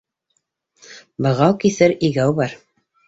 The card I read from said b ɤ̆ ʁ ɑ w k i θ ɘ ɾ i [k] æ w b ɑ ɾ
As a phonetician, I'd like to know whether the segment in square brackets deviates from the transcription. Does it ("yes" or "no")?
yes